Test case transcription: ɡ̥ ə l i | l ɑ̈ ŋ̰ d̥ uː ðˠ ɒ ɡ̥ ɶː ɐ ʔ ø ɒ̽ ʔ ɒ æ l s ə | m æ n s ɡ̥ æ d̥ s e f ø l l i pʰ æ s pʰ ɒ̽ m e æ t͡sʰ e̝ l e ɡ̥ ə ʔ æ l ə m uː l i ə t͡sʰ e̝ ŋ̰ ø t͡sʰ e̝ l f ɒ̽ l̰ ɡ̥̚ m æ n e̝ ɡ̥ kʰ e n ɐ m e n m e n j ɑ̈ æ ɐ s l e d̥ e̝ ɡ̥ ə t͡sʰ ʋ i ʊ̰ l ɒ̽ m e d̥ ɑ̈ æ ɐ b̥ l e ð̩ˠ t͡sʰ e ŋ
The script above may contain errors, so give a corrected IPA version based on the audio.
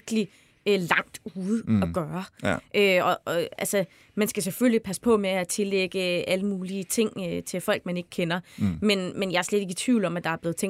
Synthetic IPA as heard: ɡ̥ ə l i | l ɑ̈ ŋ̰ d̥ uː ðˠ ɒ ɡ̥ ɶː ɐ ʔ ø ɒ̽ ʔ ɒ æ l s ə | m æ n s ɡ̥ æ s e f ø l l i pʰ æ s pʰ ɒ̽ m e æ t͡sʰ e̝ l e ɡ̥ ə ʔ æ l ə m uː l i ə t͡sʰ e̝ ŋ̰ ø t͡sʰ e̝ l f ɒ̽ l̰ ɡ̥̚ m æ n e̝ ɡ̥ kʰ e n ɐ m e n m e n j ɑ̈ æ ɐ s l e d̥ e̝ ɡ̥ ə t͡sʰ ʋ i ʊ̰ l ɒ̽ m æ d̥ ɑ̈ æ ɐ b̥ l e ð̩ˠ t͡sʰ e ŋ